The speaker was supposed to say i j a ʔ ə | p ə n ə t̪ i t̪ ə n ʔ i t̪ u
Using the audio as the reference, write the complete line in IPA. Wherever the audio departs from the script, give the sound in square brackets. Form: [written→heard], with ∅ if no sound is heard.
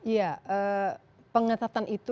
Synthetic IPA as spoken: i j a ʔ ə | p ə [n→ŋ] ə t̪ [i→a] t̪ [ə→a] n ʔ i t̪ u